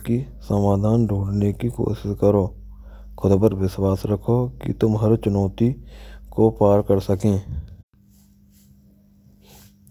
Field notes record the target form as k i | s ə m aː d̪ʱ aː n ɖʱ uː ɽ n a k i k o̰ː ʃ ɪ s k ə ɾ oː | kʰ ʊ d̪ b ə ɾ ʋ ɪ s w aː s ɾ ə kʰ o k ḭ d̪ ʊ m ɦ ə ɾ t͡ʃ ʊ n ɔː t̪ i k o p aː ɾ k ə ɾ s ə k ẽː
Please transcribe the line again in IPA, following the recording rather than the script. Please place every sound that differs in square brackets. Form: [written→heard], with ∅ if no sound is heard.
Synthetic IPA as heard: k i | s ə m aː d̪ʱ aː n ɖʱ uː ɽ n [a→e] k i k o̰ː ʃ ɪ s k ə ɾ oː | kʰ ʊ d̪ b ə ɾ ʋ ɪ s w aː s ɾ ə kʰ o k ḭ [d̪→t̪] ʊ m ɦ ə ɾ t͡ʃ ʊ n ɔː t̪ i k o p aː ɾ k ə ɾ s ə k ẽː